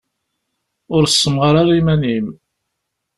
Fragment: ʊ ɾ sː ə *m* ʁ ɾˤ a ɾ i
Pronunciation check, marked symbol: correct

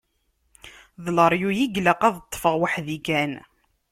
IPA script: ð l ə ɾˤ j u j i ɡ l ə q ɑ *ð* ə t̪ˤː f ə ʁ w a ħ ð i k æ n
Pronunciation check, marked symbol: correct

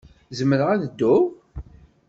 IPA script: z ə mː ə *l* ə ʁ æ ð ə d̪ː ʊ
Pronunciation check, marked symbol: incorrect: ɾ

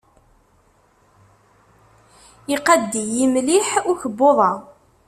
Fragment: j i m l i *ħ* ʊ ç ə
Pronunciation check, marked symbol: correct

